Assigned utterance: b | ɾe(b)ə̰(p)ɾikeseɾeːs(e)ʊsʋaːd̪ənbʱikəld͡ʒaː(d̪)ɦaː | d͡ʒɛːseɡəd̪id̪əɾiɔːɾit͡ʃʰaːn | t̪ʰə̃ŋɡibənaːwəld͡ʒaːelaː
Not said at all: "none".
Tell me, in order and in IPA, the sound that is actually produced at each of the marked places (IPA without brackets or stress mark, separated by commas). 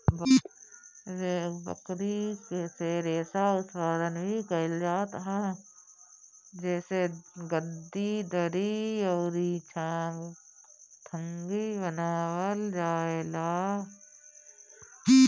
b, k, a, t̪